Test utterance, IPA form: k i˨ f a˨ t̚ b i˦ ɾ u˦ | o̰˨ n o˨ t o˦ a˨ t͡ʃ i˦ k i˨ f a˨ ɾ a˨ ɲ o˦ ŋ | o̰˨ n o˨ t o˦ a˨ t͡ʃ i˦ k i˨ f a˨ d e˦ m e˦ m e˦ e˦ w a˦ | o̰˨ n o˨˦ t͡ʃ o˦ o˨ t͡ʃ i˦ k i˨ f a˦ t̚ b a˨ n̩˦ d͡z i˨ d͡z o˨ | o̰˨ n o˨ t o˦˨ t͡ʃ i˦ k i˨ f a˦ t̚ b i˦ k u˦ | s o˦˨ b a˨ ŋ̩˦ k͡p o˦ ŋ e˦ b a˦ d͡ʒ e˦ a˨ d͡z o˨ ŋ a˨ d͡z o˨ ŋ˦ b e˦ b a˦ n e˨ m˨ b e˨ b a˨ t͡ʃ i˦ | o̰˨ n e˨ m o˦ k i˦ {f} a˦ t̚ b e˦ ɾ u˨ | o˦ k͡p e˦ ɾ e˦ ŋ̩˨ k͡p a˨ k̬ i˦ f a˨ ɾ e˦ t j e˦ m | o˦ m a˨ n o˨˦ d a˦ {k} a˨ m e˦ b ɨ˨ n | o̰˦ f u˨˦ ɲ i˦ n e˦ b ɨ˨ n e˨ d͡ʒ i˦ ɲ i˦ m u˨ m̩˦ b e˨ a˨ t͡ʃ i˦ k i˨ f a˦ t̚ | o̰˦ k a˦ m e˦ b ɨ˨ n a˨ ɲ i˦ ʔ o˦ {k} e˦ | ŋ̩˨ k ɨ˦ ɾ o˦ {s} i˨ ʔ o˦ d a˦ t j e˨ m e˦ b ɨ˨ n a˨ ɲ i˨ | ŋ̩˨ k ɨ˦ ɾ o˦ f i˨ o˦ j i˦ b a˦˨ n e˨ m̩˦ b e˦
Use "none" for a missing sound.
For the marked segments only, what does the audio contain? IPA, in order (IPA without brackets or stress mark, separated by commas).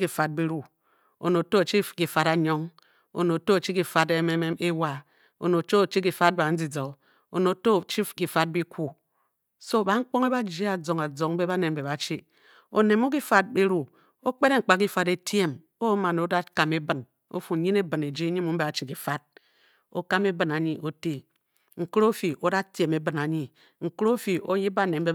f, k, t, f